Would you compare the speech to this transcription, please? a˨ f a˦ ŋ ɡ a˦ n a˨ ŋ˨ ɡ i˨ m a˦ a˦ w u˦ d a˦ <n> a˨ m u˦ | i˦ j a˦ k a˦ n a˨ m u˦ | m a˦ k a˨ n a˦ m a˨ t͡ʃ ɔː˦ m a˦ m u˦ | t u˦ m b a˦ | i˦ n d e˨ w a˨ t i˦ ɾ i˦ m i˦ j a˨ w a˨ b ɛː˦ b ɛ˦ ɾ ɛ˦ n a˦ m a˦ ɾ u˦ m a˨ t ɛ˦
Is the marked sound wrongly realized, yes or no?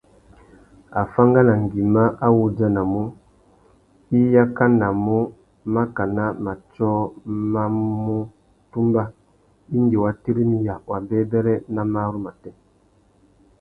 no